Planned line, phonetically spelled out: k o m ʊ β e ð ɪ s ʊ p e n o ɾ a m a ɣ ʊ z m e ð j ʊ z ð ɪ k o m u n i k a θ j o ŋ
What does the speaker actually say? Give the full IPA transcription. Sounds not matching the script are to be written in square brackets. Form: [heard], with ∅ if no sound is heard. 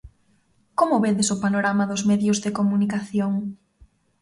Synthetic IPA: k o m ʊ β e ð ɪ s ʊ p [a] n o ɾ a m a [ð] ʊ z m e ð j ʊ z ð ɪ k o m u n i k a θ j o ŋ